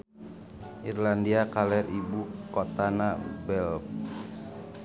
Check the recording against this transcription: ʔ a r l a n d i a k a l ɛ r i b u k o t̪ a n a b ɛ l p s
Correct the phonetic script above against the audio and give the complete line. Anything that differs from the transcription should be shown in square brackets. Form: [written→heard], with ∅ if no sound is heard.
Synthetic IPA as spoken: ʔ [a→i] r l a n d i a k a l ɛ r i b u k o t̪ a n a b ɛ l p s